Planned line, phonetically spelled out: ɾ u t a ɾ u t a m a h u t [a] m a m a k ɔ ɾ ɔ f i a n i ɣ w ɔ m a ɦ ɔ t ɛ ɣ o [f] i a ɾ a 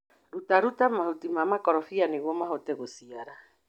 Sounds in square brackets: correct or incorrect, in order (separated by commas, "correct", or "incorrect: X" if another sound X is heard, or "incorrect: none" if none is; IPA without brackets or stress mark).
incorrect: i, incorrect: s